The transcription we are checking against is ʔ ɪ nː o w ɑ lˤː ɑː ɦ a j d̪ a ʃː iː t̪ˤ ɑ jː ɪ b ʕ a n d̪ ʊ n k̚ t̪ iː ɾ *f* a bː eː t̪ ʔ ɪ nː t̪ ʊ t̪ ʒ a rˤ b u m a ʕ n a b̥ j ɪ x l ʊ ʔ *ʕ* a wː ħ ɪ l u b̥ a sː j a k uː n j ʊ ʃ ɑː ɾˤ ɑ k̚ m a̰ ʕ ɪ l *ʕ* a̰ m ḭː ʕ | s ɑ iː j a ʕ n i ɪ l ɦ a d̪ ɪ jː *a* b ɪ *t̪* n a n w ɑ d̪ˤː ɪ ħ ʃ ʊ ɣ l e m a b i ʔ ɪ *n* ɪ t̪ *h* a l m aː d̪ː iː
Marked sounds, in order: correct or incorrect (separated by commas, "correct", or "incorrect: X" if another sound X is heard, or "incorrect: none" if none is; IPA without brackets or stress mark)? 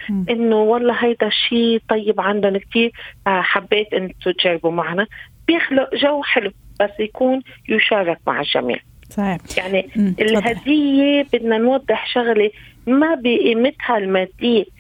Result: incorrect: ħ, incorrect: ʒ, incorrect: ʒ, incorrect: e, incorrect: d̪, incorrect: m, correct